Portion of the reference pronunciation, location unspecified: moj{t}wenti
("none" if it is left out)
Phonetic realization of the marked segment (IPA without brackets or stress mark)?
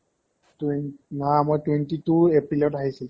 t